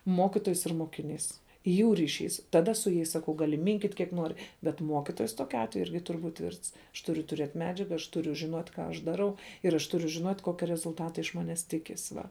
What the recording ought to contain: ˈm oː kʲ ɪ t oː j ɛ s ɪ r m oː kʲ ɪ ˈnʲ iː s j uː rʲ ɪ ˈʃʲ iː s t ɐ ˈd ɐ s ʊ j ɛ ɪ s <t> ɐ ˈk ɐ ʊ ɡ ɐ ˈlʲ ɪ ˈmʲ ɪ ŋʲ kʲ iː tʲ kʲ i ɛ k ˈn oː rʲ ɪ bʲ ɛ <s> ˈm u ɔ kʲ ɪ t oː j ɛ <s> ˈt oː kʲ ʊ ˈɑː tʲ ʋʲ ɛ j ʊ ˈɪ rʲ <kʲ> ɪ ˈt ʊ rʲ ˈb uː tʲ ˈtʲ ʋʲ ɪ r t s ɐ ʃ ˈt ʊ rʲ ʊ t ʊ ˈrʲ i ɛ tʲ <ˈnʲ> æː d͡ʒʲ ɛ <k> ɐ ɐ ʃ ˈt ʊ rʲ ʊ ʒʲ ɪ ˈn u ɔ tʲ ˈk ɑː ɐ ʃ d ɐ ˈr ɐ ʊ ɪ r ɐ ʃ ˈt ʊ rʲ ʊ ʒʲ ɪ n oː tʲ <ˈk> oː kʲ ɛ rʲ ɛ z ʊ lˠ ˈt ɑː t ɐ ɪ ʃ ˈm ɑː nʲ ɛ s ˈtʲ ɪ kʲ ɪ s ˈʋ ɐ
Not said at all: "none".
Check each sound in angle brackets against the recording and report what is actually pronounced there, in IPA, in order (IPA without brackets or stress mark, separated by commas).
s, t, s, ɡʲ, mʲ, ɡ, k